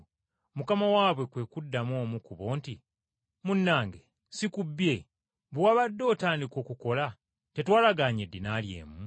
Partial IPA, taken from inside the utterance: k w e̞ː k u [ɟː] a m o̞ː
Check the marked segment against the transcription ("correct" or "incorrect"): incorrect